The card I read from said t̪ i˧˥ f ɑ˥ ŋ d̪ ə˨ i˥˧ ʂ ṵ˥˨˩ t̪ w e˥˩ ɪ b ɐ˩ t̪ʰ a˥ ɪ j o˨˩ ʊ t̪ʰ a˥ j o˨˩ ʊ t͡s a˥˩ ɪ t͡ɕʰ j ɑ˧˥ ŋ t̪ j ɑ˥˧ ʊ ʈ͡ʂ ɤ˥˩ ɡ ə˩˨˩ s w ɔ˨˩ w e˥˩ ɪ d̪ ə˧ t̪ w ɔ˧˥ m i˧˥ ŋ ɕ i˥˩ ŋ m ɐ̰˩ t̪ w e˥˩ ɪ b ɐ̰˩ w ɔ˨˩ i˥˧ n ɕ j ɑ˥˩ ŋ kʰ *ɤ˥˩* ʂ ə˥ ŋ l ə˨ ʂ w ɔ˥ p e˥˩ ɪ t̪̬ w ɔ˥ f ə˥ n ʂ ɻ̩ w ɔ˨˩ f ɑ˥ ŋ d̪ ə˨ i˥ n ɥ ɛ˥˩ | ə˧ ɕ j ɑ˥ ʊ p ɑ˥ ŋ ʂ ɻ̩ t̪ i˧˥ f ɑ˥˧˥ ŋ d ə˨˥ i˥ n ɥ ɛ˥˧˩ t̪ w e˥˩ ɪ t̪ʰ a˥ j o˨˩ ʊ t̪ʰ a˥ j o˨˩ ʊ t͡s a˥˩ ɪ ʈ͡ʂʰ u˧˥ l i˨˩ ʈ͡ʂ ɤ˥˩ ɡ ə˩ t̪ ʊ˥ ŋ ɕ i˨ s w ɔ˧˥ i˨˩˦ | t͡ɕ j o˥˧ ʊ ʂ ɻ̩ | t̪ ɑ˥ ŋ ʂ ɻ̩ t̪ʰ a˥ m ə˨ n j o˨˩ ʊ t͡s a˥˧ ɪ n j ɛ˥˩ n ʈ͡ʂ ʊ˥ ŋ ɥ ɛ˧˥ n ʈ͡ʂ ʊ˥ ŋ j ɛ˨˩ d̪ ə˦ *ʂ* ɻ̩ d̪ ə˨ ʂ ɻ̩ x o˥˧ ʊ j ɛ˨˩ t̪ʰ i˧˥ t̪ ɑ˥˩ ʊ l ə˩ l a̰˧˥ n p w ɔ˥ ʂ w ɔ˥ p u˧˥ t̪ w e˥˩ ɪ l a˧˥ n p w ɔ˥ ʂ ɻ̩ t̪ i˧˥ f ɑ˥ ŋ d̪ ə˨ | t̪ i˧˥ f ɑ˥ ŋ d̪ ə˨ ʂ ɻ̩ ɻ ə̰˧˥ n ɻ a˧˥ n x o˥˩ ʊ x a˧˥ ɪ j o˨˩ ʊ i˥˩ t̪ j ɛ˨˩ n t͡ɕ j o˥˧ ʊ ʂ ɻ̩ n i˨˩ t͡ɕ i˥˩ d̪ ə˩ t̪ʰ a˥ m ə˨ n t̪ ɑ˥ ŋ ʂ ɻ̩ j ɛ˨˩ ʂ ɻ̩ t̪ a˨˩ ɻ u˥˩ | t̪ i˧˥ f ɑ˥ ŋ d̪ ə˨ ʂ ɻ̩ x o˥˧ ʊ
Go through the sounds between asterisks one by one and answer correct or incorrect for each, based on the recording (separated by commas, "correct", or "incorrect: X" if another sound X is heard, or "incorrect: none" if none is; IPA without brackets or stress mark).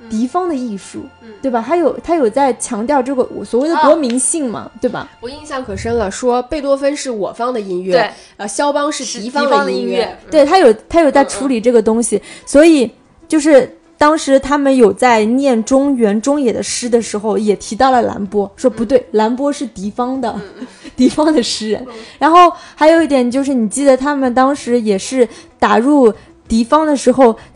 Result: incorrect: ɤ˨˩, correct